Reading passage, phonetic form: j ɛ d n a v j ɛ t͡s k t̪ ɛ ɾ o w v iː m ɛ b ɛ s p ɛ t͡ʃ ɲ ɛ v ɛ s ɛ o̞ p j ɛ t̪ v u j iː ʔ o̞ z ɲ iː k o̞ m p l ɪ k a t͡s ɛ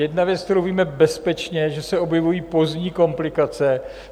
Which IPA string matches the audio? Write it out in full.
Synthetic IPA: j ɛ d n a v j ɛ t͡s k t̪ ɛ ɾ o w v iː m ɛ b ɛ s p ɛ t͡ʃ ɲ ɛ ʒ ɛ s ɛ o̞ b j ɛ v u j iː p o̞ z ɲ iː k o̞ m p l ɪ k a t͡s ɛ

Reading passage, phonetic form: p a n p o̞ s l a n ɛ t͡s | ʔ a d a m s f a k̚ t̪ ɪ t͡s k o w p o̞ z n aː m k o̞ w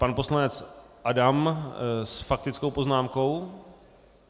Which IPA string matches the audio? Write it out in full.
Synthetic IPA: p a n p o̞ s l a n ɛ t͡s | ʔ a d a m s f a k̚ t̪ ɪ t͡s k o w p o̞ z n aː m k o̞ w

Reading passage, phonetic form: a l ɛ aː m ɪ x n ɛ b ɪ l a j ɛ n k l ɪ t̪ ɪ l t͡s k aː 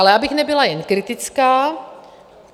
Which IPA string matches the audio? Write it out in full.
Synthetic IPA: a l ɛ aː b ɪ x n ɛ b ɪ l a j ɛ n k ɾ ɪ t̪ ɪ t͡s k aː

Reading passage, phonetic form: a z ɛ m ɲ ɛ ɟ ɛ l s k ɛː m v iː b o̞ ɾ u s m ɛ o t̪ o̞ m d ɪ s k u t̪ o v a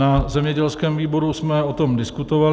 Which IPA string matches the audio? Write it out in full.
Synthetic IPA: a z ɛ m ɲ ɛ ɟ ɛ l s k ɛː m v iː b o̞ ɾ u s m ɛ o t̪ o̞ m d ɪ s k u t̪ o v a

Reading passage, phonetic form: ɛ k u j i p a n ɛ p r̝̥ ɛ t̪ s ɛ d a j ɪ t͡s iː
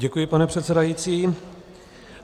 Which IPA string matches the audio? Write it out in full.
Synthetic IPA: ɛ k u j ɪ p a n ɛ p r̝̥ ɛ t̪ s ɛ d a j i t͡s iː

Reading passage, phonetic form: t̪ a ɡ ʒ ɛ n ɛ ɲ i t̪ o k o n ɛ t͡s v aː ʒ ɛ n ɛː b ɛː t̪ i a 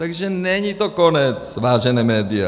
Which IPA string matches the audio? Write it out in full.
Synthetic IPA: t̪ a ɡ ʒ ɛ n ɛ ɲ i t̪ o k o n ɛ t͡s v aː ʒ ɛ n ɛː m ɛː d̪ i a

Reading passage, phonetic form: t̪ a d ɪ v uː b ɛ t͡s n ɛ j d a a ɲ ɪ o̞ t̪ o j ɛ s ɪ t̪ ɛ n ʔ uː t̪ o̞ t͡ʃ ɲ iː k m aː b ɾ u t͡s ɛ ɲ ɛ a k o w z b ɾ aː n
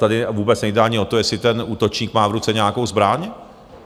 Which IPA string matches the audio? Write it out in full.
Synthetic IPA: t̪ a d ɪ v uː b ɛ t͡s n ɛ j d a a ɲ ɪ o̞ t̪ o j ɛ s ɪ t̪ ɛ n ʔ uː t̪ o̞ t͡ʃ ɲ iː k m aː v ɾ u t͡s ɛ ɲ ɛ a k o w z b ɾ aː ɲ

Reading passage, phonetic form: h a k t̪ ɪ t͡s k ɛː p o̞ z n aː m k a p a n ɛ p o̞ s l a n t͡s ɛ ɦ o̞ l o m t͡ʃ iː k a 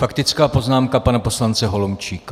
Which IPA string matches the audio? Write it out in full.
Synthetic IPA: f a k t̪ ɪ t͡s k aː p o̞ z n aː m k a p a n a p o̞ s l a n t͡s ɛ ɦ o̞ l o m t͡ʃ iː k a

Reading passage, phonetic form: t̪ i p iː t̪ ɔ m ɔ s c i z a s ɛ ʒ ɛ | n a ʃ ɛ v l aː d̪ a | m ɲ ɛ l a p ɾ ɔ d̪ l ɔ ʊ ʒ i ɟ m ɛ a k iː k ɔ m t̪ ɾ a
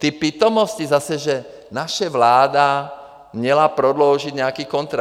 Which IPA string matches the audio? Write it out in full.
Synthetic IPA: t̪ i p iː t̪ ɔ m ɔ s c i z a s ɛ ʒ ɛ | n a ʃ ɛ ʋ l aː d̪ a | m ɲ ɛ l a p ɾ ɔ d̪ l ɔ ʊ ʒ i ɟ ɲ ɛ a k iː k ɔ n t̪ ɾ a

